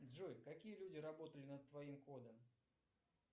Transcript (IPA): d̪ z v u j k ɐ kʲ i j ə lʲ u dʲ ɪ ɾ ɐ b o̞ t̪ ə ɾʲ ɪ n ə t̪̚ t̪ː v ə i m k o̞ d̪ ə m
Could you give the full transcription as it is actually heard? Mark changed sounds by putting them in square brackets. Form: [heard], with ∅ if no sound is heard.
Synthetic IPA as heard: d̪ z [ʐ] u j k ɐ kʲ i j ə lʲ u dʲ ɪ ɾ ɐ b o̞ t̪ ə [lʲ] ɪ n ə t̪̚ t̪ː v [ɐ] i m k o̞ d̪ ə m